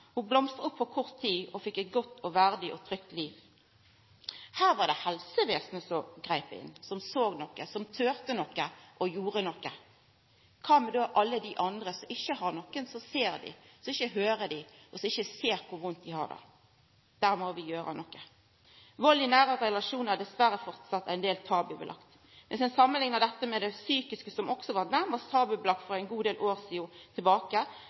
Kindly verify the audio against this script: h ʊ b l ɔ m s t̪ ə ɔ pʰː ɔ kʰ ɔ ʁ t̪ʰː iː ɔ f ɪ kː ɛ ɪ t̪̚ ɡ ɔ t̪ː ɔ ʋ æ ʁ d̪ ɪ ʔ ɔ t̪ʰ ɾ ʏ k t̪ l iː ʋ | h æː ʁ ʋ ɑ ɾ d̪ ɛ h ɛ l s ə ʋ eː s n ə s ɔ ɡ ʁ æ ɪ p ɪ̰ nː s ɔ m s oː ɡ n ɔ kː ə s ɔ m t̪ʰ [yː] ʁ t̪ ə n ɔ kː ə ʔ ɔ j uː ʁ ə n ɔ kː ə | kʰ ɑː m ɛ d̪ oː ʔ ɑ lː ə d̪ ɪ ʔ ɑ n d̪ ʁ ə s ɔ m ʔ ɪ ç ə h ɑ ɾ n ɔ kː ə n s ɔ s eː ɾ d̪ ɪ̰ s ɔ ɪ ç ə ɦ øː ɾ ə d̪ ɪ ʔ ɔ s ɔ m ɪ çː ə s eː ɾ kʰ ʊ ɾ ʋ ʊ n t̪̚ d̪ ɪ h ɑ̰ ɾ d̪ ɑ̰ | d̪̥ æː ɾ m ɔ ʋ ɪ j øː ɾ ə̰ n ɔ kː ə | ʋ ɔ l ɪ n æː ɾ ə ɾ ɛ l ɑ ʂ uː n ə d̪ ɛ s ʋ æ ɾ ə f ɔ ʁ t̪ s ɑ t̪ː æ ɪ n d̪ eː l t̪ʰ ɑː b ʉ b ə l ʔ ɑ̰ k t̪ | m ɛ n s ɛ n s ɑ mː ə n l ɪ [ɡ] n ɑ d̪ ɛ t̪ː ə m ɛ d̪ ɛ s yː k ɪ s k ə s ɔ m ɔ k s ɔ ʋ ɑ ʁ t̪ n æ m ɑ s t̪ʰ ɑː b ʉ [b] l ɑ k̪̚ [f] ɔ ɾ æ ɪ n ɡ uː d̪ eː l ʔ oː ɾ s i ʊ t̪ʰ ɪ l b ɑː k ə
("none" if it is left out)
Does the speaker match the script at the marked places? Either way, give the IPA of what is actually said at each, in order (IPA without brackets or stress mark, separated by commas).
øː, ŋ, b, f